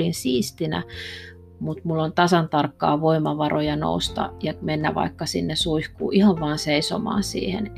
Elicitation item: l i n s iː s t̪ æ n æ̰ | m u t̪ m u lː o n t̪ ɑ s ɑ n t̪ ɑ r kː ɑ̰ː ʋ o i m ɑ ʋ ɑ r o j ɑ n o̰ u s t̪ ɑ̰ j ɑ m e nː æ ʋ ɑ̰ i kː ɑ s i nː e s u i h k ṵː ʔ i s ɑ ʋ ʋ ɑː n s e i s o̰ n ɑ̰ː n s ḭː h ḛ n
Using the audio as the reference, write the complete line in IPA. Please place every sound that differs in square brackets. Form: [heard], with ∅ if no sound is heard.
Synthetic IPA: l i n s iː s t̪ [i] n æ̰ | m u t̪ m u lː o n t̪ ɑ s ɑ n t̪ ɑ r kː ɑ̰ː ʋ o i m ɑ ʋ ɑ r o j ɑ n o̰ u s t̪ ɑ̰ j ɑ m e nː æ ʋ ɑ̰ i kː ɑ s i nː e s u i h k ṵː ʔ i [h] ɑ ʋ ʋ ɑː n s e i s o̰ [m] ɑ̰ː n s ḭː h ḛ n